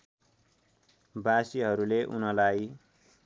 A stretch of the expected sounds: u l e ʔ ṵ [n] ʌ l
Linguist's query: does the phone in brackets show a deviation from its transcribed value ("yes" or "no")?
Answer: no